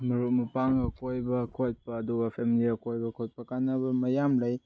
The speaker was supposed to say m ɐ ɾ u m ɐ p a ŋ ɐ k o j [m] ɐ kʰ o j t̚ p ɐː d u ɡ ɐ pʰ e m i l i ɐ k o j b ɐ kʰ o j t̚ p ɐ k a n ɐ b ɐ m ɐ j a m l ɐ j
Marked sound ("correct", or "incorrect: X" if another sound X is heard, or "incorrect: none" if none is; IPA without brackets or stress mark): incorrect: b